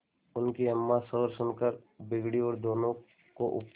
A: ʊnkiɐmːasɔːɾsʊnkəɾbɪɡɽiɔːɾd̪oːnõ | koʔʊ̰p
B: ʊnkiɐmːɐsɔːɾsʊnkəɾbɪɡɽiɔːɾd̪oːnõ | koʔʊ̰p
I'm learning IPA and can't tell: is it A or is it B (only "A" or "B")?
A